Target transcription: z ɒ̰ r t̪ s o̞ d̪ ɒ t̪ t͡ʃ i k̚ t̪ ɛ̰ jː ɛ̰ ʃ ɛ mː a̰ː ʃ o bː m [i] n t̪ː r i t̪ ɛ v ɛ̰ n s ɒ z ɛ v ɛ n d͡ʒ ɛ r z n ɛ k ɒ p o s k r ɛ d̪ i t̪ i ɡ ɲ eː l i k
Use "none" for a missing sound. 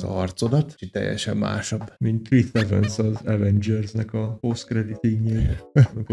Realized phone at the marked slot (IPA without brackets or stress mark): i